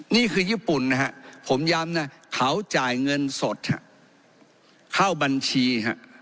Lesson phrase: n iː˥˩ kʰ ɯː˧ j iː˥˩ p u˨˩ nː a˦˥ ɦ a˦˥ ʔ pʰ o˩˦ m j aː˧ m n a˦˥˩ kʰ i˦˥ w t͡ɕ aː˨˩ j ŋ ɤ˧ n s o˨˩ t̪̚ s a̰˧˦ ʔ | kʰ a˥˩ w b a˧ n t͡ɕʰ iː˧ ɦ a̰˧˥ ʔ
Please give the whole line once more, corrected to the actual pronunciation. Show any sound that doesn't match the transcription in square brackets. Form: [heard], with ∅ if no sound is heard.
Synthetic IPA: n iː˥˩ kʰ ɯː˧ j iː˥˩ p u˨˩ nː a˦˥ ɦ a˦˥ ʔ pʰ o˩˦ m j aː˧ m n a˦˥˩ kʰ [a˦˥] w t͡ɕ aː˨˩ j ŋ ɤ˧ n s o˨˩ t̪̚ [h] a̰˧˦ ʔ | kʰ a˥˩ w b a˧ n t͡ɕʰ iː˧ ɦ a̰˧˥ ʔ